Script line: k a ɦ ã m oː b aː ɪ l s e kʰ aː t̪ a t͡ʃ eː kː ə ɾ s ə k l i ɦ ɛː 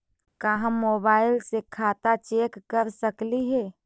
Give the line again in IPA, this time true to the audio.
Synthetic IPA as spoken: k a ɦ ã m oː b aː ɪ l s e kʰ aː t̪ a t͡ʃ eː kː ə ɾ s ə k l i ɦ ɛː